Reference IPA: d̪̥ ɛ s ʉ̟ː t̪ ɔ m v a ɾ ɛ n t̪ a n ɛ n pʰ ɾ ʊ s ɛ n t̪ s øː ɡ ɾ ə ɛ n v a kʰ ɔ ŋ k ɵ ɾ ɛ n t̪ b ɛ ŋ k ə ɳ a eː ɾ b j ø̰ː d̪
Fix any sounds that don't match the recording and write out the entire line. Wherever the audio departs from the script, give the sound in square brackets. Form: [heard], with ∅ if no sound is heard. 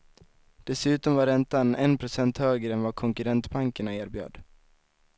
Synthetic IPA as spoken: d̪̥ ɛ s ʉ̟ː t̪ ɔ m v a ɾ ɛ n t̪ a n ɛ n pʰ ɾ ʊ s ɛ n t̪ [h] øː ɡ ɾ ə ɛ n v a kʰ ɔ ŋ k ɵ ɾ ɛ n t̪ b [a] ŋ k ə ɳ a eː ɾ b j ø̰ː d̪